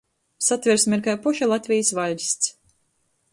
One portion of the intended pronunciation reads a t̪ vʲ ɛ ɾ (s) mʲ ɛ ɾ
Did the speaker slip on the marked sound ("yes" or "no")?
no